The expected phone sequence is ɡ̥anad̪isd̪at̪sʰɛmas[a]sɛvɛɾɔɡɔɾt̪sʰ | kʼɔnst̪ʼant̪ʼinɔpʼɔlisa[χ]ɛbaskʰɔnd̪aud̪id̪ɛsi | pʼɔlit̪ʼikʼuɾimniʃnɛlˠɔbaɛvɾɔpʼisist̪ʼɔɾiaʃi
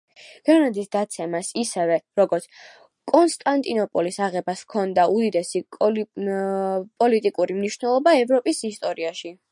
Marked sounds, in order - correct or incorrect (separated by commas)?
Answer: incorrect, incorrect